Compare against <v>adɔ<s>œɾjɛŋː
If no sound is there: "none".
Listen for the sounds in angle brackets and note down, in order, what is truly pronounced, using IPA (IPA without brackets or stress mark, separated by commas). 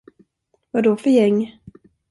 v, f